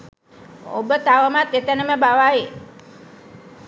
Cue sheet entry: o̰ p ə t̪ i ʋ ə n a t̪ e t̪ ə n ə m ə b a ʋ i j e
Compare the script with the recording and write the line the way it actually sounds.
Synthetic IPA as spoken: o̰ b ə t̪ a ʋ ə m a t̪ e t̪ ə n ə m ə b a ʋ a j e